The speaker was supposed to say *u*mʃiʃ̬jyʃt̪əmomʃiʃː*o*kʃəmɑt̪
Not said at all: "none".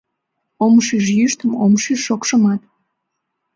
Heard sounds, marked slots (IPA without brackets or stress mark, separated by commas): o, o